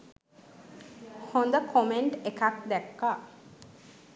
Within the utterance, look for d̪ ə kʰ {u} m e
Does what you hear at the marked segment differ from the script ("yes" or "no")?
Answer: yes